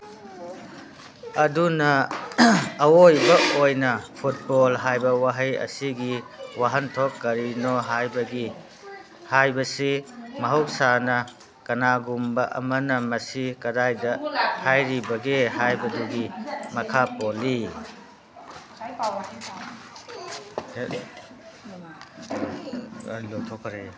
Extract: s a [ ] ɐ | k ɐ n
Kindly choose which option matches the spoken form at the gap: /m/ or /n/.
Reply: n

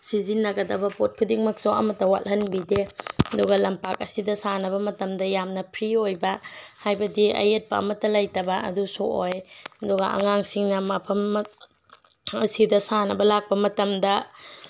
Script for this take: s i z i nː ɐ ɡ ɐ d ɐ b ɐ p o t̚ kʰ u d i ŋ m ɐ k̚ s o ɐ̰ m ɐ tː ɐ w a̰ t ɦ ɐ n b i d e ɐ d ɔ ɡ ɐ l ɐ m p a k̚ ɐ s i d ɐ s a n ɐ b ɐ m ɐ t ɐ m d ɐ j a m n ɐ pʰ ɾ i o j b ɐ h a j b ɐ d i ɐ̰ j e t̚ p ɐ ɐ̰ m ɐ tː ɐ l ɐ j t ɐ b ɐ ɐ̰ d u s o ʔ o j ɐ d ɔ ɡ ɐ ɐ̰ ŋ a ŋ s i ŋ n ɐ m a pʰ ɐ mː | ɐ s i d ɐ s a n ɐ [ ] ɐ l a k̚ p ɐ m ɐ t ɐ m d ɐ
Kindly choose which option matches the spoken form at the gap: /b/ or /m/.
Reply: b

